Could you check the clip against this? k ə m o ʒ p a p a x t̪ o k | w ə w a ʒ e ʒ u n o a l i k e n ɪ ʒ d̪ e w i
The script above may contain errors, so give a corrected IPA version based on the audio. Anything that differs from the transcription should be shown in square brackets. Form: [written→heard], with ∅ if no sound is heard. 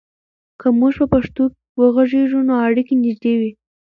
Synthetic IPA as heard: k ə m [o→u] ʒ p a p a [x→ʂ] t̪ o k | w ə [w→ɣ] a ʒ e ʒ u n o a [l→ɽ] i k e n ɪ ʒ d̪ e w i